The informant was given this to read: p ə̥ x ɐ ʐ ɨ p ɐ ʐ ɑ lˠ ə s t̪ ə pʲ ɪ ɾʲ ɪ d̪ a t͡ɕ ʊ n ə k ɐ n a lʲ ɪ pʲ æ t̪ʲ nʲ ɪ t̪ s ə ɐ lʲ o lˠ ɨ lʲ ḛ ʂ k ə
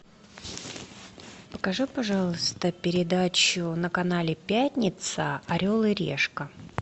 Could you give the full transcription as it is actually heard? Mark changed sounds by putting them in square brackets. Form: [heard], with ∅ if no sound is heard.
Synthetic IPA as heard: p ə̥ [k] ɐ ʐ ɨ p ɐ ʐ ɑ lˠ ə s t̪ ə pʲ ɪ ɾʲ ɪ d̪ a t͡ɕ ʊ n ə k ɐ n a lʲ ɪ pʲ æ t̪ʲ nʲ ɪ t̪ s ə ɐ [ɾʲ] o lˠ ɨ [ɾʲ] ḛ ʂ k ə